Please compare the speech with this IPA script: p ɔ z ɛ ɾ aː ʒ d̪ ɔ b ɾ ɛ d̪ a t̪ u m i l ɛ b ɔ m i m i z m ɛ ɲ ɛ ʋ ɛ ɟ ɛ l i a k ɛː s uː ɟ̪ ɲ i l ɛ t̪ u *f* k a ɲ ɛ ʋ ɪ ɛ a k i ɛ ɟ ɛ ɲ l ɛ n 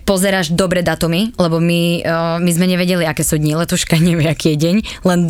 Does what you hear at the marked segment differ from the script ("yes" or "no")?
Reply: yes